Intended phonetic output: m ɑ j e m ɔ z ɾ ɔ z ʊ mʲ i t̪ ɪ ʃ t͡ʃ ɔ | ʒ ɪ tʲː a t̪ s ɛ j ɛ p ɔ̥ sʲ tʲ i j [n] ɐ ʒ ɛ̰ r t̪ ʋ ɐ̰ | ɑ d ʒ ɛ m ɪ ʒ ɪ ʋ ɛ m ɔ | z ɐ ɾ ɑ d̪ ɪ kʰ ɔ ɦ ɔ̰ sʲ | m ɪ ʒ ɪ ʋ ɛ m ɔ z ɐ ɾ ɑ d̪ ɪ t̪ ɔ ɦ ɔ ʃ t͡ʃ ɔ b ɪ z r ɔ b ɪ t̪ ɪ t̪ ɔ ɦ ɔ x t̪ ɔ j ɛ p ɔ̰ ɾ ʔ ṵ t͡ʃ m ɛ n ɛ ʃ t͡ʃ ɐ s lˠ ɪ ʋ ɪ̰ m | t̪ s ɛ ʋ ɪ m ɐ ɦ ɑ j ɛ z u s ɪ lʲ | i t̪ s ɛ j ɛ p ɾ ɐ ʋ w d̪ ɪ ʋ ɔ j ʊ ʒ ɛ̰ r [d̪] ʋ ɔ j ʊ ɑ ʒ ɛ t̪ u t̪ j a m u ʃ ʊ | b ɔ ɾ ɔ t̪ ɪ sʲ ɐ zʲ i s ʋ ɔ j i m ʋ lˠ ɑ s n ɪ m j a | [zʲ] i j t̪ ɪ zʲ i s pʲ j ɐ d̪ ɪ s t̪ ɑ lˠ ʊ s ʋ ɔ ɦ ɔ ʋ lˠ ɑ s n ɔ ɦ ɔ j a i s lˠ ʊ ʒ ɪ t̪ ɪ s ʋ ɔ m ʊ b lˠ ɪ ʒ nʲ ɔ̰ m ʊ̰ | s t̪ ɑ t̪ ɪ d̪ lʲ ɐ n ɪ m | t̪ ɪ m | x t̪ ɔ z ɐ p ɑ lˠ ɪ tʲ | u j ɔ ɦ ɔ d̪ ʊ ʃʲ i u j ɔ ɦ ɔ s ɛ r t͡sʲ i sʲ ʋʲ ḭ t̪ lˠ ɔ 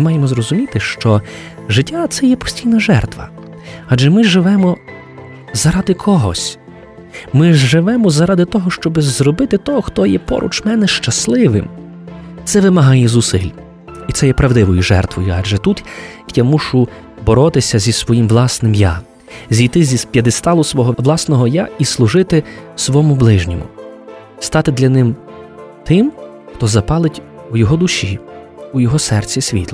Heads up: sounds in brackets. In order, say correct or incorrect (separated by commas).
correct, incorrect, correct